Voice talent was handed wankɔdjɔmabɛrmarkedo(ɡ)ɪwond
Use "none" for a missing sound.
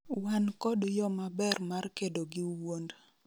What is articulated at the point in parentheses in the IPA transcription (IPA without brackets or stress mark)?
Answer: ɡ